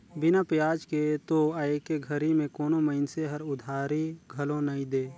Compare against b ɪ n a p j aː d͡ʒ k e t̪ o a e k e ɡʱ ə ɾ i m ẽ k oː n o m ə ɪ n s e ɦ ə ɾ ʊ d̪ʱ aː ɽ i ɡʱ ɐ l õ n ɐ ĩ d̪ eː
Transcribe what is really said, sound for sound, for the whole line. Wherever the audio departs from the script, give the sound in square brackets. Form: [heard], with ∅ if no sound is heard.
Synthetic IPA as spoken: b ɪ n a p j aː d͡ʒ k e t̪ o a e k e ɡʱ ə ɾ i m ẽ k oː n o m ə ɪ n s e ɦ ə ɾ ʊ d̪ʱ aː [ɾ] i ɡʱ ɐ l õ n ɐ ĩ d̪ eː